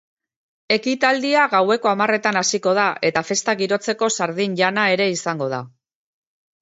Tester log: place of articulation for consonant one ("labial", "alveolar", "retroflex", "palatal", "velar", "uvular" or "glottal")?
velar